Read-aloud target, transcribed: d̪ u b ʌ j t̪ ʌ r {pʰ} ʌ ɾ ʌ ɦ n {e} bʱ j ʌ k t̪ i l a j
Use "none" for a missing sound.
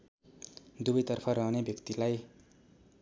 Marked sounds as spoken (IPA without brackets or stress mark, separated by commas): pʰ, e